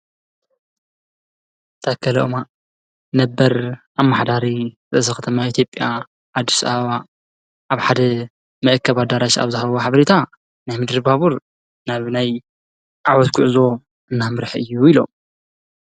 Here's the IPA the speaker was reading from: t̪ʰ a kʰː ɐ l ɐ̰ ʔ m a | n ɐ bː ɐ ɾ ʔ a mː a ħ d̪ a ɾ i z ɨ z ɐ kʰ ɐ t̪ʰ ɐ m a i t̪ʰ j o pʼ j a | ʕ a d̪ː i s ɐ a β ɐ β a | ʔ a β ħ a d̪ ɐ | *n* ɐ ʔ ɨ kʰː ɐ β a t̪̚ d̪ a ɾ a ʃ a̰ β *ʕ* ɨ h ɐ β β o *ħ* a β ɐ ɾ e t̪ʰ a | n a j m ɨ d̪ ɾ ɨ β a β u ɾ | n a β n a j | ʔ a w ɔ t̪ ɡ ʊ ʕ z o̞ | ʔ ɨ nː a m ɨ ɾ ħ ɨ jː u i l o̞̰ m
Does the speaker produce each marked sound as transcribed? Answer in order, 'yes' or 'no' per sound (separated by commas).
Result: no, no, yes